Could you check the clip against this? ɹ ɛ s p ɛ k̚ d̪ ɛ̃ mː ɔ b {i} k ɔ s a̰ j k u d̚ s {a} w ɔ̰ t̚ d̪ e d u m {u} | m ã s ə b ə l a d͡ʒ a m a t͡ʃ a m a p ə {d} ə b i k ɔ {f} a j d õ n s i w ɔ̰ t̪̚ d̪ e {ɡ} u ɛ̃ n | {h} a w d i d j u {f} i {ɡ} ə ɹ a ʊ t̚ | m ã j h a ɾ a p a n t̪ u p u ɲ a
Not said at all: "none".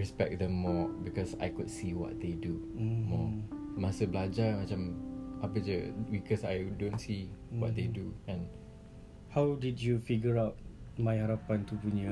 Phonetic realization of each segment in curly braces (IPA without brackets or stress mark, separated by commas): i, i, ɔ, d͡ʒ, s, d, h, f, ɡ